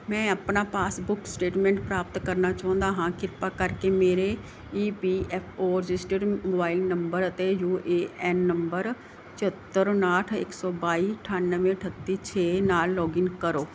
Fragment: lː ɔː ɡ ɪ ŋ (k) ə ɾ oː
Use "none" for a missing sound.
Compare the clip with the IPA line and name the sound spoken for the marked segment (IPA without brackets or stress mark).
k